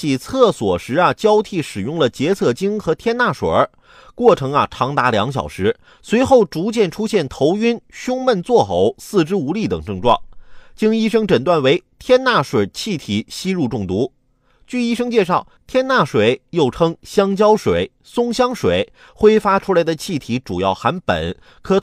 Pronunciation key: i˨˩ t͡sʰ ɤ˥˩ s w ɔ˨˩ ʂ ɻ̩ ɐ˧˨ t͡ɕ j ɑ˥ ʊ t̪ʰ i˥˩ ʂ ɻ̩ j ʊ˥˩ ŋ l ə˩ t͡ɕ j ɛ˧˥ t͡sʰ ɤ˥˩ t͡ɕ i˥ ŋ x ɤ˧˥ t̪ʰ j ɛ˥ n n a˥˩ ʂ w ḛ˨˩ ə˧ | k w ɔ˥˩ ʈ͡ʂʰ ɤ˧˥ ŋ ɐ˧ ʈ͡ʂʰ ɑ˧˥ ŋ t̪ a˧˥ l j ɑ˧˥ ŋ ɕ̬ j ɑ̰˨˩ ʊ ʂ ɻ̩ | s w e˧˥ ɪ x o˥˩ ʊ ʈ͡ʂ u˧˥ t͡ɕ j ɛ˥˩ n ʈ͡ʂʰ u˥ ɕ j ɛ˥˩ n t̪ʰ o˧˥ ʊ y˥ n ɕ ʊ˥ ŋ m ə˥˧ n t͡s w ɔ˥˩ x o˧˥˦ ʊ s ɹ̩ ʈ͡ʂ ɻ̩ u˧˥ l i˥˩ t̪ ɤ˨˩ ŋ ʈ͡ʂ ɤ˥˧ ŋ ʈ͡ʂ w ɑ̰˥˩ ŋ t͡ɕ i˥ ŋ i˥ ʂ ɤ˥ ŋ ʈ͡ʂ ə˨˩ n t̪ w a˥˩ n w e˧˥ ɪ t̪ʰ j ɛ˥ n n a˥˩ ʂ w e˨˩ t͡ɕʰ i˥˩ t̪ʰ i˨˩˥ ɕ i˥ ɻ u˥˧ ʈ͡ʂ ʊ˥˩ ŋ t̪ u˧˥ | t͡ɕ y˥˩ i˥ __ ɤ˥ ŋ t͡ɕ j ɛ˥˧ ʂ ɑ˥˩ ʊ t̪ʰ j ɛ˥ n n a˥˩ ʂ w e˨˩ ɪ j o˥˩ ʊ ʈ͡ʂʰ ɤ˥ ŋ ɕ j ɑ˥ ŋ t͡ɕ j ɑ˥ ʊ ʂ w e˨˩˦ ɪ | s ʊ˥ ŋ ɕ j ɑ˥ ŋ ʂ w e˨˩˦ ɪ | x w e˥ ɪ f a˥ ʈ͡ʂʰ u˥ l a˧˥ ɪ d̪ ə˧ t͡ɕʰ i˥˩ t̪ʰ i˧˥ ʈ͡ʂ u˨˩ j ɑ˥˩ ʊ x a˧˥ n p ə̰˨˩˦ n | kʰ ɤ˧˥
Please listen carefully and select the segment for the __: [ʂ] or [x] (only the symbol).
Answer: ʂ